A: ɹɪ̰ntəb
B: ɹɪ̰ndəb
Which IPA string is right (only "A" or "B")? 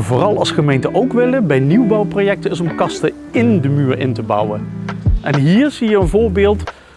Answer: A